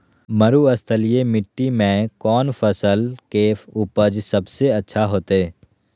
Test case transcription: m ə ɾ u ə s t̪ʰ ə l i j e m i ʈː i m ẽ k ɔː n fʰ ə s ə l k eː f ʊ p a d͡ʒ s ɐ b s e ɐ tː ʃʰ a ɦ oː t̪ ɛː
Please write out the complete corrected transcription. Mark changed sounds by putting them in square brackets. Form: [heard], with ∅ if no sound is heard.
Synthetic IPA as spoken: m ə ɾ u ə s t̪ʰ ə l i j e m [ɪ] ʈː i m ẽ k ɔː n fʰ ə s ə l k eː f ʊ p [ə] d͡ʒ s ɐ b s e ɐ tː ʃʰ a ɦ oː t̪ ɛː